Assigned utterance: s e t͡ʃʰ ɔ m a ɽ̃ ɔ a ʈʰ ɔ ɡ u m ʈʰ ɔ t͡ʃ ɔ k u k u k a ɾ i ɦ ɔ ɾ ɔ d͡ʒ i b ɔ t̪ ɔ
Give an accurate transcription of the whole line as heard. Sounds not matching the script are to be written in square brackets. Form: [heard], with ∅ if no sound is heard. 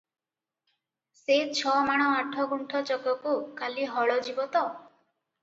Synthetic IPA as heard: s e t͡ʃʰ ɔ m a ɽ̃ ɔ a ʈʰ ɔ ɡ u [ɳ] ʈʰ ɔ t͡ʃ ɔ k [ɔ] k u k a [l] i ɦ ɔ [ɭ] ɔ d͡ʒ i b ɔ t̪ ɔ

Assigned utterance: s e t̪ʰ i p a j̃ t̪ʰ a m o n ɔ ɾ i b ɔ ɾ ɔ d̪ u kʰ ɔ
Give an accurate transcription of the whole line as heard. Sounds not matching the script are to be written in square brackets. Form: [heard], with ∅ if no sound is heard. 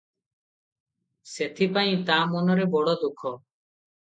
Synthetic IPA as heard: s e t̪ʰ i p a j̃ [t̪] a m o n ɔ ɾ [e] b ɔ [ɽ] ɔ d̪ u kʰ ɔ

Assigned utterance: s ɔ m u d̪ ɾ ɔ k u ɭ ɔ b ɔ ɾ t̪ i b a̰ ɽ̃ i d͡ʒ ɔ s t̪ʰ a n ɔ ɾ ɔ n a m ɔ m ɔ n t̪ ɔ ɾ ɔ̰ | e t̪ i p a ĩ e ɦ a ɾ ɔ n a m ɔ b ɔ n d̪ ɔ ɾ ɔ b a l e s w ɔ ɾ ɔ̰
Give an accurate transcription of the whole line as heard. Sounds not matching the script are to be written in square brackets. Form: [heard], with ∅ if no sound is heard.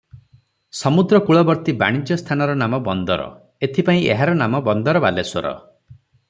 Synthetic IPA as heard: s ɔ m u d̪ ɾ ɔ k u ɭ ɔ b ɔ ɾ t̪ i b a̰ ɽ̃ i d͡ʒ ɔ s t̪ʰ a n ɔ ɾ ɔ n a m ɔ [b] ɔ n [d̪] ɔ ɾ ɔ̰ | e [t̪ʰ] i p a ĩ e ɦ a ɾ ɔ n a m ɔ b ɔ n d̪ ɔ ɾ ɔ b a l e s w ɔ ɾ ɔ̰

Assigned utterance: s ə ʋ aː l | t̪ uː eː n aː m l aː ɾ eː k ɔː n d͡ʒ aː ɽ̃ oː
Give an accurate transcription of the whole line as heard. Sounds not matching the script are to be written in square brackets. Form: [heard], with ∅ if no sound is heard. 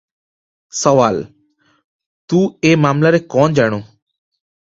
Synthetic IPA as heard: s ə ʋ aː l | t̪ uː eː [m] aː m l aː ɾ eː k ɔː n d͡ʒ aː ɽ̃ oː

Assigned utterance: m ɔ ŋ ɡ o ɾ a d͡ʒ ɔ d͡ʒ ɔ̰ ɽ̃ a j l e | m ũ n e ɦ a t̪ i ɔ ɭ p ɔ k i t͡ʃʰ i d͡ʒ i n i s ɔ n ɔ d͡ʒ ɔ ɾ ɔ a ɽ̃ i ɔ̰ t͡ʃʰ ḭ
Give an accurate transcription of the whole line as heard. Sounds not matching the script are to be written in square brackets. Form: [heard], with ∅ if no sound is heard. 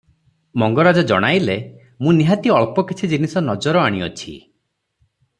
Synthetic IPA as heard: m ɔ ŋ ɡ [ɔ] ɾ a d͡ʒ ɔ d͡ʒ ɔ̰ ɽ̃ a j l e | m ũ n [i] ɦ a t̪ i ɔ ɭ p ɔ k i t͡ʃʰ i d͡ʒ i n i s ɔ n ɔ d͡ʒ ɔ ɾ ɔ a ɽ̃ i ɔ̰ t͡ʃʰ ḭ

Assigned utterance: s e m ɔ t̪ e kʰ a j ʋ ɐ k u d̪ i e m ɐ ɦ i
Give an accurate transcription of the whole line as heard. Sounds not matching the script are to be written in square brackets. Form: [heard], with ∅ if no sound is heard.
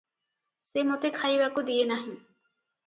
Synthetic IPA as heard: s e m [o] t̪ e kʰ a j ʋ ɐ k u d̪ i e [n] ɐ ɦ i

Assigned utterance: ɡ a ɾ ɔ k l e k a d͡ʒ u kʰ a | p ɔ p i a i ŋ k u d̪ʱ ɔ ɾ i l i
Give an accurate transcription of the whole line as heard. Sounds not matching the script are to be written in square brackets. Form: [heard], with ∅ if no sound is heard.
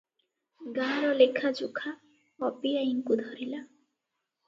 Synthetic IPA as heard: ɡ a ɾ ɔ [∅] l e [kʰ] a d͡ʒ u kʰ a | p ɔ p i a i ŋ k u d̪ʱ ɔ ɾ i l [a]

